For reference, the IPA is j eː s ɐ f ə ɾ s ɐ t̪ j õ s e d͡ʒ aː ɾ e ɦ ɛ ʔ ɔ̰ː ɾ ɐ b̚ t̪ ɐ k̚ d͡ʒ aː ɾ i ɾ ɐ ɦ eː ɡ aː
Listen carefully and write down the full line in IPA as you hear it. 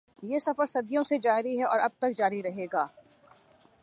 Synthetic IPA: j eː s ɐ f ə ɾ s ɐ d̪ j õ s e d͡ʒ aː ɾ i ɦ ɛ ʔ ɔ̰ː ɾ ɐ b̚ t̪ ɐ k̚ d͡ʒ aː ɾ i ɾ ɐ ɦ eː ɡ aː